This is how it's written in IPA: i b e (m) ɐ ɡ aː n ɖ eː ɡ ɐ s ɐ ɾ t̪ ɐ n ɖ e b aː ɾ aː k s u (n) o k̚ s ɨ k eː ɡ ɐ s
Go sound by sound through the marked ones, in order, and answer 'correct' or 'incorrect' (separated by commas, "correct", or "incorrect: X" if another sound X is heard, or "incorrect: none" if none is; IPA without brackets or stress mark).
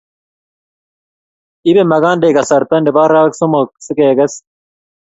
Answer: correct, incorrect: m